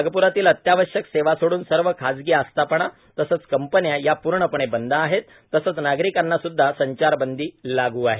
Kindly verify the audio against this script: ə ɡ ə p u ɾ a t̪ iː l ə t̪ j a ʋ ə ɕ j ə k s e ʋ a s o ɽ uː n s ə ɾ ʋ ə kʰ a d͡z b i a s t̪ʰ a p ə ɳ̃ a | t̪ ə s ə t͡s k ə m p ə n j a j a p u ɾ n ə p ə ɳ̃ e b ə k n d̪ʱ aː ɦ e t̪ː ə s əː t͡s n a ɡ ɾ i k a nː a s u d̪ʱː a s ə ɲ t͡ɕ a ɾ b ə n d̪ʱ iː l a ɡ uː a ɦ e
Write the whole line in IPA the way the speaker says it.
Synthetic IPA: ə ɡ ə p u ɾ a t̪ iː l ə t̪ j a ʋ ə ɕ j ə k s e ʋ a s o ɽ uː n s ə ɾ ʋ ə kʰ a d͡z ɡ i a s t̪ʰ a p ə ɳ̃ a | t̪ ə s ə t͡s k ə m p ə n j a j a p u ɾ ɳ ə p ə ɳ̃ e b ə n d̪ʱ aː ɦ e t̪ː ə s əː t͡s n a ɡ ɾ i k a nː a s u d̪ʱː a s ə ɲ t͡ɕ a ɾ b ə n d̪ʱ iː l a ɡ uː a ɦ e